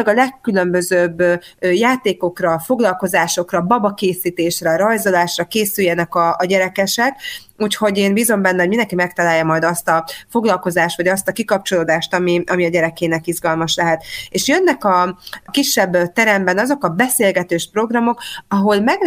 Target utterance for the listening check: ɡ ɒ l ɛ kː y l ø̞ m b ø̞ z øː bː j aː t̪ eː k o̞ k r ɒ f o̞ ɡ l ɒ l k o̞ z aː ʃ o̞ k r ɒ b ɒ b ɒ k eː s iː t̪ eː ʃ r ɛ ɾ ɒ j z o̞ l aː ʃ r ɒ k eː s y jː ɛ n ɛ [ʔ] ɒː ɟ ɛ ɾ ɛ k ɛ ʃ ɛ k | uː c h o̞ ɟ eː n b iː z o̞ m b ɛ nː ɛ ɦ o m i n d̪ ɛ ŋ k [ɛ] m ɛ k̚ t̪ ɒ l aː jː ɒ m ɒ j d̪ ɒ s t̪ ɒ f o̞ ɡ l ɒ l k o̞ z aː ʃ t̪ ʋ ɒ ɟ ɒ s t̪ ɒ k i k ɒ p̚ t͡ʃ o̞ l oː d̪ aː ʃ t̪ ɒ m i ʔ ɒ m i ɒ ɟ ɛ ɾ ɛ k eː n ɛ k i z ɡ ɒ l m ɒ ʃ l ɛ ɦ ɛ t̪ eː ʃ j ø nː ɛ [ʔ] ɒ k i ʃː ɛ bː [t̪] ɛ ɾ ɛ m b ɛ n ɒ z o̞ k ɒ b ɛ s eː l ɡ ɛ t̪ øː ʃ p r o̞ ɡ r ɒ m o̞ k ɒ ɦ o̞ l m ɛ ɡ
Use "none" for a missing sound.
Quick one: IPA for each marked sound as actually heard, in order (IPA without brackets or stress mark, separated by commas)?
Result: k, i, k, t̪